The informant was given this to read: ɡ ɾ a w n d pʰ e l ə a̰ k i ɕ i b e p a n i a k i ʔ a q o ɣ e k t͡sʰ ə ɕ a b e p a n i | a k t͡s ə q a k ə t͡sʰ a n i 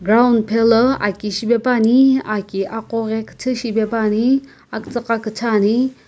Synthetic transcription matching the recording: ɡ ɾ a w n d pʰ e l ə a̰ k i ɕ i b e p a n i a k i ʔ a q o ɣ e k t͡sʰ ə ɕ i b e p a n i | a k t͡s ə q a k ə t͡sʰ a n i